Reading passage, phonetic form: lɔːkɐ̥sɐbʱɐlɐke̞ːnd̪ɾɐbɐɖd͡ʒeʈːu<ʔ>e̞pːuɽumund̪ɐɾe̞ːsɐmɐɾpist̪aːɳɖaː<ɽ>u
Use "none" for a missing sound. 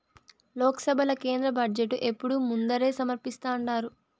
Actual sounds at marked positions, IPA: ʔ, ɾ

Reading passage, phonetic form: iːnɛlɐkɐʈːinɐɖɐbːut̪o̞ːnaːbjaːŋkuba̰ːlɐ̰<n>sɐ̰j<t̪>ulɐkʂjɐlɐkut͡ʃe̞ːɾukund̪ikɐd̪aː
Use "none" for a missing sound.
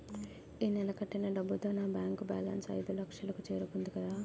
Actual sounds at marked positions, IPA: n, d̪

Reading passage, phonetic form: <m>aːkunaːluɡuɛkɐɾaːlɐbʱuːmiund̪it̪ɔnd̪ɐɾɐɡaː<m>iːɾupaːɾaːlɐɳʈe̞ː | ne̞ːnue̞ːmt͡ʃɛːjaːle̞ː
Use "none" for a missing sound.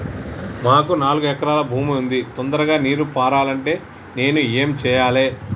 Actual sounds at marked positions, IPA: m, n

